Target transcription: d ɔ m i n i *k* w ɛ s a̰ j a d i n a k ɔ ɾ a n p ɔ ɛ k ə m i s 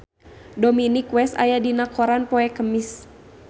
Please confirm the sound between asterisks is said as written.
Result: yes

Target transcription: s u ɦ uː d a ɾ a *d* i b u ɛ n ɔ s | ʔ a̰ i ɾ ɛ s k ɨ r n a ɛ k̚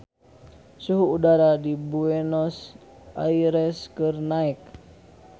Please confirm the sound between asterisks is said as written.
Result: yes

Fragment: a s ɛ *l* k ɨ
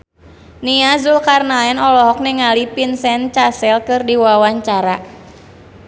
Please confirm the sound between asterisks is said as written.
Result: yes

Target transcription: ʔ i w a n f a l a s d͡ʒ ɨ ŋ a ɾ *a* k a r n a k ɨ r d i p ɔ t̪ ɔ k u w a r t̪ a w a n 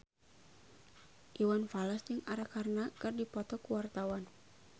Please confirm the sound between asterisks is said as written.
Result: yes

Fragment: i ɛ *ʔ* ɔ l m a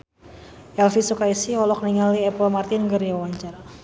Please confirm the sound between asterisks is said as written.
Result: no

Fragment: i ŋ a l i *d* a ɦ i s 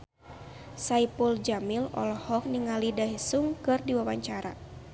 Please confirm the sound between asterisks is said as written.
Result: yes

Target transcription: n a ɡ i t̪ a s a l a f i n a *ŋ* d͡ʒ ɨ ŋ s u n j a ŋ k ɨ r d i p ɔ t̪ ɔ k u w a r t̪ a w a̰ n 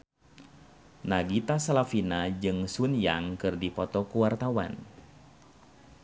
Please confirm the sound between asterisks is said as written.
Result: no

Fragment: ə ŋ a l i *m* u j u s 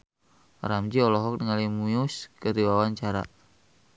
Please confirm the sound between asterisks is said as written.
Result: yes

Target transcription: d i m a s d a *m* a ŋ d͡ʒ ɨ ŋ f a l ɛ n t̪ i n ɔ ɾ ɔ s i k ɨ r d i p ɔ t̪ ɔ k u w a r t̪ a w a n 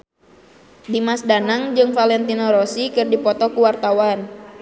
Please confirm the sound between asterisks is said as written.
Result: no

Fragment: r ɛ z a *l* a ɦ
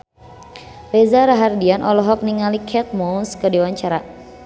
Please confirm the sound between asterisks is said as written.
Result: no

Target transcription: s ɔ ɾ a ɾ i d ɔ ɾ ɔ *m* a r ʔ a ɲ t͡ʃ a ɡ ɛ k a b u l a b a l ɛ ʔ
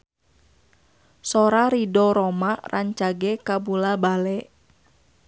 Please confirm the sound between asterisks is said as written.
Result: yes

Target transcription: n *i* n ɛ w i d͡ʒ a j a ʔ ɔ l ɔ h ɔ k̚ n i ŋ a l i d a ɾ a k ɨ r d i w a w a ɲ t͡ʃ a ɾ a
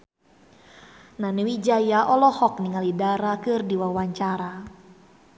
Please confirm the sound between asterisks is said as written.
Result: no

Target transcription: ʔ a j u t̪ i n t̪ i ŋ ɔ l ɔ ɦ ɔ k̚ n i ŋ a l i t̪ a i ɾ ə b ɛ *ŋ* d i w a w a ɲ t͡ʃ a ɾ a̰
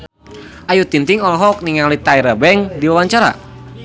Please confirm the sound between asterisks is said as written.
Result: yes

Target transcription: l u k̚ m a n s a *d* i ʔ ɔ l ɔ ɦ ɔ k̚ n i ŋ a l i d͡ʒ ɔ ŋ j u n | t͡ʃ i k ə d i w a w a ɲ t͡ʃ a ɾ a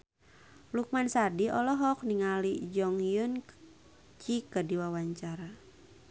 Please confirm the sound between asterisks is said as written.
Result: yes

